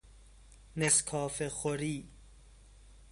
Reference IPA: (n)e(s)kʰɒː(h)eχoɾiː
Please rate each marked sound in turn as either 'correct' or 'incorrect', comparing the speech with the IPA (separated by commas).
correct, correct, incorrect